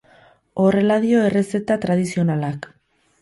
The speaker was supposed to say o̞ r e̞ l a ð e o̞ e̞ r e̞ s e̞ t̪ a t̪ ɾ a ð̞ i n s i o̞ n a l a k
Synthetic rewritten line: o̞ r e̞ l a ð i o̞ e̞ r e̞ s e̞ t̪ a t̪ ɾ a ð̞ i s i o̞ n a l a k